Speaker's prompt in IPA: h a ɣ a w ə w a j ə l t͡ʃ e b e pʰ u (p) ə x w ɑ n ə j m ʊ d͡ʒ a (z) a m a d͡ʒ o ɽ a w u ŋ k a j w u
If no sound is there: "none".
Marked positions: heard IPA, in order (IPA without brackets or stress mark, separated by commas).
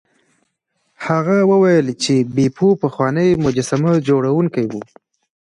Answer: p, s